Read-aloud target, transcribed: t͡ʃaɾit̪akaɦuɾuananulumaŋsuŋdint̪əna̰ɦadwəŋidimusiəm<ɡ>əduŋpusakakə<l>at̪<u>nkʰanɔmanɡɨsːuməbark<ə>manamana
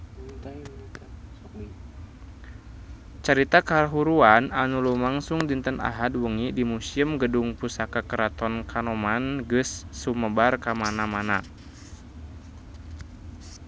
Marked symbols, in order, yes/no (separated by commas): yes, no, no, no